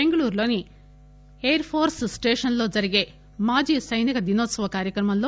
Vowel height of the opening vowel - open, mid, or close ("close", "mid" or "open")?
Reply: mid